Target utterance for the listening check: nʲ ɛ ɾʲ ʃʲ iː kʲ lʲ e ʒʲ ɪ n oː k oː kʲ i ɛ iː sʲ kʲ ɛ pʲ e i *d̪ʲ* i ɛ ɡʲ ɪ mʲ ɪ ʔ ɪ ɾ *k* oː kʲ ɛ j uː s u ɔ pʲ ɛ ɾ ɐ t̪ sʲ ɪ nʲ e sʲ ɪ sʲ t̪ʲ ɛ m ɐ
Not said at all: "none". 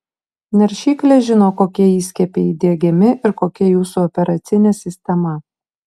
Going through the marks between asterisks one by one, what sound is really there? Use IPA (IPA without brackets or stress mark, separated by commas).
d̪ʲ, k